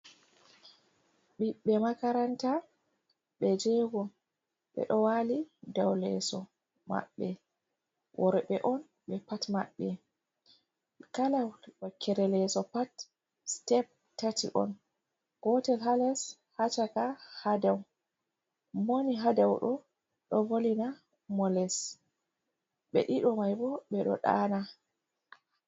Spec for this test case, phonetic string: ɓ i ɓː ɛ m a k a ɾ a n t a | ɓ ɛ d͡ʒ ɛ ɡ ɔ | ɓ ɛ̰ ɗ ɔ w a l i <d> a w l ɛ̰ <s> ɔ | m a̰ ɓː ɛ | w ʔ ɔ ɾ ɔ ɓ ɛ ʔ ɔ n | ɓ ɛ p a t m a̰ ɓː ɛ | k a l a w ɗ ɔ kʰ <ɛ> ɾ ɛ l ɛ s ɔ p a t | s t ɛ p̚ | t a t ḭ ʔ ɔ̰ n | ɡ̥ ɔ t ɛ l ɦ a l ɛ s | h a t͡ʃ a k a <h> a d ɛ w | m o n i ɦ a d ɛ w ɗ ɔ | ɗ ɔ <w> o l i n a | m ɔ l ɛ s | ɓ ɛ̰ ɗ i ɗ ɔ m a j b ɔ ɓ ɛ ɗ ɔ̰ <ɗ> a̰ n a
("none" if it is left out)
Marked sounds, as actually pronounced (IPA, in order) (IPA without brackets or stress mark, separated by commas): d, s, ɛ, h, v, ɗ